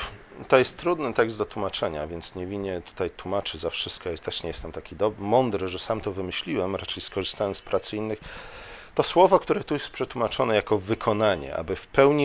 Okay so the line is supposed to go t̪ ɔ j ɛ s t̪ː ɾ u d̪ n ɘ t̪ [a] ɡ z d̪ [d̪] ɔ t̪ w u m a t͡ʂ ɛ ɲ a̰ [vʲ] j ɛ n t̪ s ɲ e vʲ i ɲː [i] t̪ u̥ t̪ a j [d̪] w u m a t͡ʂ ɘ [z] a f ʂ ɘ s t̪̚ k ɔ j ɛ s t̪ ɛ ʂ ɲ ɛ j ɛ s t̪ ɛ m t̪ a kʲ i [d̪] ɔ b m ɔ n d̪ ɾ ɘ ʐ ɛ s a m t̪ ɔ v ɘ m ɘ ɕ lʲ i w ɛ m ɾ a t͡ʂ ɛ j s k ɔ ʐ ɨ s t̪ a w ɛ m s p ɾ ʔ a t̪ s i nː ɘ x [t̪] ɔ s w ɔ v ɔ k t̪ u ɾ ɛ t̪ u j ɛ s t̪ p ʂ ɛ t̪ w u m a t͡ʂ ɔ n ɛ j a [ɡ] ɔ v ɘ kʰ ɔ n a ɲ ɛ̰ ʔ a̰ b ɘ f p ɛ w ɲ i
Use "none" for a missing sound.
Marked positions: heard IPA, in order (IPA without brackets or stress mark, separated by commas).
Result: ɛ, d̪, vʲ, ɛ, t̪, z, d̪, t̪, k